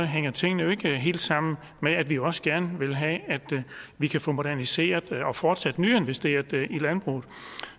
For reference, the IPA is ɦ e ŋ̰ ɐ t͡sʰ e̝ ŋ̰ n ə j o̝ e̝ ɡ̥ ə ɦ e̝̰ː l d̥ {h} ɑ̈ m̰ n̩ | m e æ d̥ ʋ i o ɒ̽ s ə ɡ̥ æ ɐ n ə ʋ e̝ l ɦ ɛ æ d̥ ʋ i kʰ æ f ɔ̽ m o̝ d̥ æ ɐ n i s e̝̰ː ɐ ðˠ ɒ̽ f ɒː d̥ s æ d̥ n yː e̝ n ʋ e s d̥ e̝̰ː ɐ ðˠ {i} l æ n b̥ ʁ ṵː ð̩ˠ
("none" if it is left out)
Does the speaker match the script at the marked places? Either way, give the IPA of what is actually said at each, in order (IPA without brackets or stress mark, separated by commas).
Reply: s, i